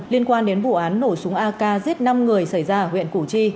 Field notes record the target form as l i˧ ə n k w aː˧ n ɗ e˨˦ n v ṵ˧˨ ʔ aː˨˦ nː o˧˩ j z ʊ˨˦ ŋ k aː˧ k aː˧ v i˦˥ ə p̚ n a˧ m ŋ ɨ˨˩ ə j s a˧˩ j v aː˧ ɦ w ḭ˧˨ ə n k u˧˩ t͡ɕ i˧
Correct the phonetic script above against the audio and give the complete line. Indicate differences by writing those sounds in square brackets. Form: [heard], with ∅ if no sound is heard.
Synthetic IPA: l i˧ ə n k w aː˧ n ɗ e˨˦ n v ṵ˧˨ ʔ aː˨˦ nː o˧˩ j [s] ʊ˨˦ ŋ [ʔ] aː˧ k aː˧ [z] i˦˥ ə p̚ n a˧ m ŋ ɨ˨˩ ə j s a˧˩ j [z] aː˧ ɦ w ḭ˧˨ ə n k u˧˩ t͡ɕ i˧